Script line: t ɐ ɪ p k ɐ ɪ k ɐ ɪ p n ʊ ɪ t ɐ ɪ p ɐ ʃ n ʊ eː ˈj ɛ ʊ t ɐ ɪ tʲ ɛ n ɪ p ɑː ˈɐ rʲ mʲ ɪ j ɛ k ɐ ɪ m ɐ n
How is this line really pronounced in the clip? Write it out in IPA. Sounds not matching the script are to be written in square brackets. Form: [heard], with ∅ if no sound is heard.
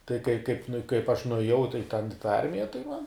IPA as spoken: t ɐ ɪ [∅] k ɐ ɪ k ɐ ɪ p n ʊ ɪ [k] ɐ ɪ p ɐ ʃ n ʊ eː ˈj ɛ ʊ t ɐ ɪ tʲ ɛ n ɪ [t] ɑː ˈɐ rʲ mʲ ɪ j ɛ [t] ɐ ɪ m ɐ n